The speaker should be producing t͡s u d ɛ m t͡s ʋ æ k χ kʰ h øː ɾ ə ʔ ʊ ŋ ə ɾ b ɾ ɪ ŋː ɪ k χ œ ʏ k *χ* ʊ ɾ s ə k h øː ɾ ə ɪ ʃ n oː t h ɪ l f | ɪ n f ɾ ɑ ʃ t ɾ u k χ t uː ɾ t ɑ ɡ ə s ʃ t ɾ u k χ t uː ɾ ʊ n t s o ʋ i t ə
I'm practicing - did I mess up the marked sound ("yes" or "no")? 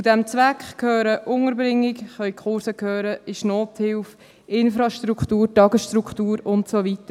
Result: no